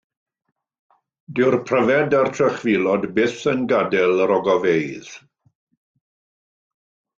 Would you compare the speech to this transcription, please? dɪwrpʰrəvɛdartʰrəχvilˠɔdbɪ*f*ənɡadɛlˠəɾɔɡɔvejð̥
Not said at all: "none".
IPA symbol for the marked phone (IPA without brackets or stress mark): θ